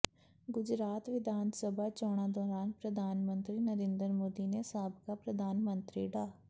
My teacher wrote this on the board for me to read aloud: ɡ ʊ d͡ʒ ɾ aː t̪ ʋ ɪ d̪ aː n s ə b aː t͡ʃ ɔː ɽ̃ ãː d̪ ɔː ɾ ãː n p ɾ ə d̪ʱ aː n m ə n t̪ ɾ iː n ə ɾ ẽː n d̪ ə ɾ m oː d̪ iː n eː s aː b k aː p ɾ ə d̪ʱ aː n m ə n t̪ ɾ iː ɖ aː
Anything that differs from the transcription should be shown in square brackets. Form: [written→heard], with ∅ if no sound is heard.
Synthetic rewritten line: ɡ ʊ d͡ʒ ɾ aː t̪ ʋ ɪ d̪ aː n s ə b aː t͡ʃ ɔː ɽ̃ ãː d̪ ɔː ɾ [ãː→aː] n p ɾ ə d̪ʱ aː n m ə n t̪ ɾ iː n ə ɾ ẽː n d̪ ə ɾ m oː d̪ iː n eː s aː b k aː p ɾ ə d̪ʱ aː n m ə n t̪ ɾ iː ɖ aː